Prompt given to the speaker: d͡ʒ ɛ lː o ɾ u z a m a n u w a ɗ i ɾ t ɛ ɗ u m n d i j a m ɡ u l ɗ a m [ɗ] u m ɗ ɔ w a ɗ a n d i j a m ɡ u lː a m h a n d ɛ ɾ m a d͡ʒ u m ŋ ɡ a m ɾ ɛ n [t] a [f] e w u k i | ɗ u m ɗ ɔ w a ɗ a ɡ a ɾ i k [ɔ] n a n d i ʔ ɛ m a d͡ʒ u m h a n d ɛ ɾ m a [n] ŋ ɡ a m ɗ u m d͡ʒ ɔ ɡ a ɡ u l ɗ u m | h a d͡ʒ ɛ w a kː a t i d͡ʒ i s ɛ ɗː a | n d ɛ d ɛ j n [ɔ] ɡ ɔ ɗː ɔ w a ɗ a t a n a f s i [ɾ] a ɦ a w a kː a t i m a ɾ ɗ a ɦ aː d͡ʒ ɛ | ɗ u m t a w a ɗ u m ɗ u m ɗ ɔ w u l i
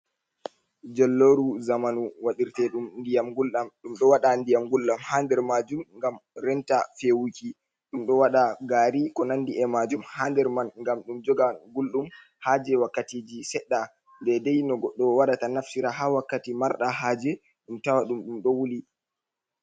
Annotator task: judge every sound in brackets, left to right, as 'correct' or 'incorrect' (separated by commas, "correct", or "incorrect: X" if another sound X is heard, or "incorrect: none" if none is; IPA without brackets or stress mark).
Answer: correct, correct, correct, correct, correct, correct, correct